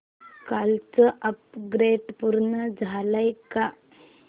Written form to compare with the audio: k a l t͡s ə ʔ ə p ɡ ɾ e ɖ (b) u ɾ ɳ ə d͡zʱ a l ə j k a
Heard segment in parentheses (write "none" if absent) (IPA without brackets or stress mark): p